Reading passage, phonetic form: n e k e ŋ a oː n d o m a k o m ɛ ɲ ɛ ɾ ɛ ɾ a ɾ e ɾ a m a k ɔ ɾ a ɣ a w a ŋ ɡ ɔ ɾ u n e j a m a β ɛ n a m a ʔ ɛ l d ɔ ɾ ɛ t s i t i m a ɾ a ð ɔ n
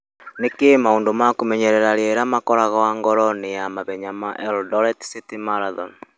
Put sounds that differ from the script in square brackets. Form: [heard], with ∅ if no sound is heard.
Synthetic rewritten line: n e k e [m] a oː n d o m a k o m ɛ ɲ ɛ ɾ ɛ ɾ a ɾ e ɾ a m a k ɔ ɾ a ɣ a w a ŋ ɡ ɔ ɾ [ɔ] n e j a m a β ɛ [ɲ] a m a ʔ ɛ l d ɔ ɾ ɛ t s i t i m a ɾ a ð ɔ n

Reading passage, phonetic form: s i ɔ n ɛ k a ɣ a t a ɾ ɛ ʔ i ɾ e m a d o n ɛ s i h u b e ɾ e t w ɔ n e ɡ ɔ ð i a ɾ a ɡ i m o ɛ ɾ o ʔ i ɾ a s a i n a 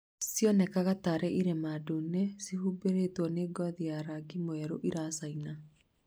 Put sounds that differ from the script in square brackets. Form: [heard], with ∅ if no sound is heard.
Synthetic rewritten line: s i ɔ n ɛ k a ɣ a t a ɾ ɛ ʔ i ɾ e m a d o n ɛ s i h u b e ɾ e t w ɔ n e ɡ ɔ ð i a ɾ a ɡ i m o ɛ ɾ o ʔ i ɾ a s a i n a

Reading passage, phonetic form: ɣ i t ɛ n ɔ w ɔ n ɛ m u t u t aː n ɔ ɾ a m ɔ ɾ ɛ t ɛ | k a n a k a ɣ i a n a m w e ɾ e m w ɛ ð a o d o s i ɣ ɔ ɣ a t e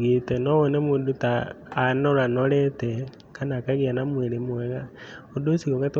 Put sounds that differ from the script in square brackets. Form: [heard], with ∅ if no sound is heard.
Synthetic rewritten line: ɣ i t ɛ n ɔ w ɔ n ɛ m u [d] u t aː n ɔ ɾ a [n] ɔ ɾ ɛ t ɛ | k a n a k a ɣ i a n a m w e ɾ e m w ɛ [ɣ] a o d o s i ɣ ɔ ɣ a t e

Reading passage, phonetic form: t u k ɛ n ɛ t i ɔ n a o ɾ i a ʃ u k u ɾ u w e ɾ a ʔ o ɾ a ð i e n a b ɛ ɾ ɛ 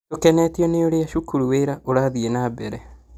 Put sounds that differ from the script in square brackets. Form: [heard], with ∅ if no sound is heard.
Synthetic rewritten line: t [o] k ɛ n ɛ t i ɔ n [e] o ɾ [e] a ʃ u k u ɾ u w e ɾ a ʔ o ɾ a ð i e n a b ɛ ɾ ɛ

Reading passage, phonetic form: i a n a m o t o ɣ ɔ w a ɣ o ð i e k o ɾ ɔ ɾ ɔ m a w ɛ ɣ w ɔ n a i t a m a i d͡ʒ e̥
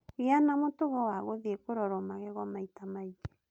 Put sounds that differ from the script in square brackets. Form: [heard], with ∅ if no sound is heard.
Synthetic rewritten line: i a n a m o t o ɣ ɔ w a ɣ o ð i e k o ɾ ɔ ɾ ɔ m a [ɣ] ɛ ɣ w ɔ [m] a i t a m a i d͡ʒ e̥

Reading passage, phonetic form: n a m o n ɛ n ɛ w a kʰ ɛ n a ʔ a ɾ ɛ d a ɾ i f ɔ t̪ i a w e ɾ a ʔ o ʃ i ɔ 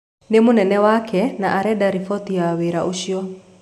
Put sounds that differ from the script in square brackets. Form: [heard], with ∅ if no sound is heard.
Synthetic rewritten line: n [e] m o n ɛ n ɛ w a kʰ ɛ n a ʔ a ɾ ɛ d a ɾ i f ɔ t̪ i a w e ɾ a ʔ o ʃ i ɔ

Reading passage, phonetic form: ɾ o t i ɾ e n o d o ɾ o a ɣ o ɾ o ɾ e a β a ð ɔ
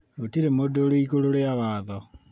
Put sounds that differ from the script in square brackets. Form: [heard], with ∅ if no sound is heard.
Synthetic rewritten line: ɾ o t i ɾ e [m] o d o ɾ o [i] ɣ o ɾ o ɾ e a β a ð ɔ

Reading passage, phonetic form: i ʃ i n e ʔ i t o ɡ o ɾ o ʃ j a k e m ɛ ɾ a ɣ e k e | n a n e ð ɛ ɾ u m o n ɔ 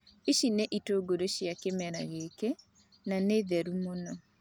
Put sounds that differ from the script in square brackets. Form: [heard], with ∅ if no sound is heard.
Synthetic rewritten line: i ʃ i n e ʔ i t o ɡ o ɾ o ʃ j a k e m ɛ ɾ a ɣ e k e | n a n e ð ɛ ɾ u m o n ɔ

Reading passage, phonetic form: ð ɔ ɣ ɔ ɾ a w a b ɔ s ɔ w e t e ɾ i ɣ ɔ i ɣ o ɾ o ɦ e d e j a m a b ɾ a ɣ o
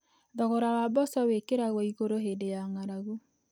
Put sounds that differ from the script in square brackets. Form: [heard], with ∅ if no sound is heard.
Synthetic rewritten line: ð ɔ ɣ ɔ ɾ a w a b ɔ s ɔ w e [k] e ɾ [a] ɣ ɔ i ɣ o ɾ o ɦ e d e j a [ŋ] a [∅] ɾ a ɣ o

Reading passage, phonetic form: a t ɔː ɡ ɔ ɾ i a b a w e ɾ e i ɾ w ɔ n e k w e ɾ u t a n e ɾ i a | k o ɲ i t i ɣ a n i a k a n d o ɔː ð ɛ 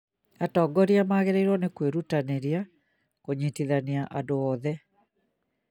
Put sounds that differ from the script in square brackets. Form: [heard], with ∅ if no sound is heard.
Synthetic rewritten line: a t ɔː ɡ ɔ ɾ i a [m] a [ɣ] e ɾ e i ɾ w ɔ n e k w e ɾ u t a n e ɾ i a | k o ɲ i t i [ð] a n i a [ʔ] a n d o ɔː ð ɛ

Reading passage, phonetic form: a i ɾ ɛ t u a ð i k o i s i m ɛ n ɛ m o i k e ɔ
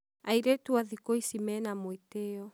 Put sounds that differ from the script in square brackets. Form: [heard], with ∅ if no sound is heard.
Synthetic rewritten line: a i ɾ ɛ t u a ð i k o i s i m ɛ n [a] m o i [t] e ɔ

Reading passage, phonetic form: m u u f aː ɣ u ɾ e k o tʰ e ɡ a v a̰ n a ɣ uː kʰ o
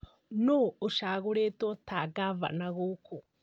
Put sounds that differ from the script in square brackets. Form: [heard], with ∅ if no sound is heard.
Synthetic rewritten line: [n] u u [ʃ] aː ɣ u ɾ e [t] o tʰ [a] ɡ a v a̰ n a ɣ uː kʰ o

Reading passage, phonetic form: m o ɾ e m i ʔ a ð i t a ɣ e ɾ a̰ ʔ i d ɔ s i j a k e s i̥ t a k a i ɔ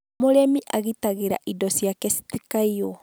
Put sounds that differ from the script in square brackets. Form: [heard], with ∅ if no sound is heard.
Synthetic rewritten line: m o ɾ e m i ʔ a [ɣ] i t a ɣ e ɾ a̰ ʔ i d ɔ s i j a k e s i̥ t [i] k a i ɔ

